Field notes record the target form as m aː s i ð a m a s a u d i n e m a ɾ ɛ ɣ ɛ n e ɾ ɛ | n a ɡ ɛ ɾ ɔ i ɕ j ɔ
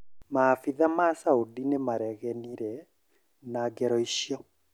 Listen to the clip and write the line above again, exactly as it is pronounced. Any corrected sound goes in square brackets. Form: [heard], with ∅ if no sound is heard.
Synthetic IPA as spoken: m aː [f] i ð a m a s a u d i n e m a ɾ ɛ ɣ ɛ n [i] ɾ ɛ | n a ɡ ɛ ɾ ɔ i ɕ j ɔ